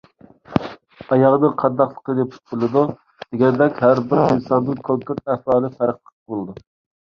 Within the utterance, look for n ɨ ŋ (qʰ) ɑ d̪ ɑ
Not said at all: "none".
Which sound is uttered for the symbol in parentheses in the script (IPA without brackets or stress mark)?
qʰ